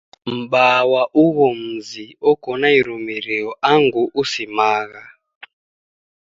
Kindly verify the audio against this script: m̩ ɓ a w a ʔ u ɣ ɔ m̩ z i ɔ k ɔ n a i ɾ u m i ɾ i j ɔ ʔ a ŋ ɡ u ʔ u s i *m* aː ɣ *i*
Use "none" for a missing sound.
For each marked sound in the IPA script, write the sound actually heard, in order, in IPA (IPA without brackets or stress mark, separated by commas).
m, a